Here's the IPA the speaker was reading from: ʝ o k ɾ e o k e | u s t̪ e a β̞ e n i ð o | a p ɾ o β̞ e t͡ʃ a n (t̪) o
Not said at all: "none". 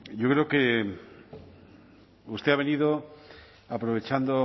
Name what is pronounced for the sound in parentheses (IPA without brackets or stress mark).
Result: d̪